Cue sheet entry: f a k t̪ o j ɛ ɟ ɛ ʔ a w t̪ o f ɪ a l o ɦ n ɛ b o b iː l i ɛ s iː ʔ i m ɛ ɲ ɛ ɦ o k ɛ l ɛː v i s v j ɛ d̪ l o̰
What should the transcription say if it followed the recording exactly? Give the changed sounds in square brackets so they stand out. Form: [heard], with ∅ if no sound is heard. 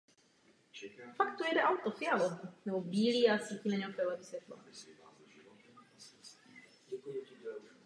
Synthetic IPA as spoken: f a k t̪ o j ɛ [d] ɛ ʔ a w t̪ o f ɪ a l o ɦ n ɛ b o b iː l i [a] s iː [c] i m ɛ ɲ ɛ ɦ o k ɛ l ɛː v i s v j ɛ [t̪] l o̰